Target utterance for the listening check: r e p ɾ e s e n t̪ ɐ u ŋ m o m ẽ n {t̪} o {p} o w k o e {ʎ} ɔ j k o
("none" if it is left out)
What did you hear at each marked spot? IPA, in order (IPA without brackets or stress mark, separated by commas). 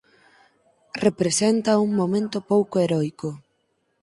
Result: t̪, p, ɾ